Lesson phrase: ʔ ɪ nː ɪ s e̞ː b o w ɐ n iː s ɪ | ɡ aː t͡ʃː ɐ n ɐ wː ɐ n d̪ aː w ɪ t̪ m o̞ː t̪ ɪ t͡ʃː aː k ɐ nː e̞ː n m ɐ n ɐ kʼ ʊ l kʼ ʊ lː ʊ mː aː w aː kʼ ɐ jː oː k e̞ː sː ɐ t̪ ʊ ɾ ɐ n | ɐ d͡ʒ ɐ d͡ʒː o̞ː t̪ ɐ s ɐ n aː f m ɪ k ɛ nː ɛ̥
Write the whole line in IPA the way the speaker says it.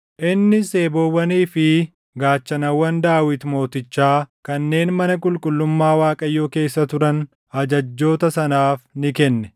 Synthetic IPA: ʔ ɪ nː ɪ s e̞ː b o w ɐ n iː f ɪ | ɡ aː t͡ʃː ɐ n ɐ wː ɐ n d̪ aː w ɪ t̪ m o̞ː t̪ ɪ t͡ʃː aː k ɐ nː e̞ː n m ɐ n ɐ kʼ ʊ l kʼ ʊ lː ʊ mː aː w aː kʼ ɐ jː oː k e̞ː sː ɐ t̪ ʊ ɾ ɐ n | ɐ d͡ʒ ɐ d͡ʒː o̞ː t̪ ɐ s ɐ n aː f n ɪ k ɛ nː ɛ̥